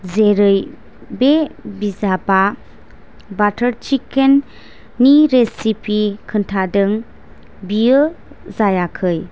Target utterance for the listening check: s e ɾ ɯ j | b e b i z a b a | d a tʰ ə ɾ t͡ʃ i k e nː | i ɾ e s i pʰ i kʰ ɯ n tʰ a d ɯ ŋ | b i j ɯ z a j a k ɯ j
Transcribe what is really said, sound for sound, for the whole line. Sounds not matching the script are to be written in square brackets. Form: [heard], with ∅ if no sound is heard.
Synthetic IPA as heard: [z] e ɾ ɯ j | b e b i z a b a | [b] a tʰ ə ɾ t͡ʃ i k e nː | i ɾ e s i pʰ i kʰ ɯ n tʰ a d ɯ ŋ | b i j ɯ z a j a [kʰ] ɯ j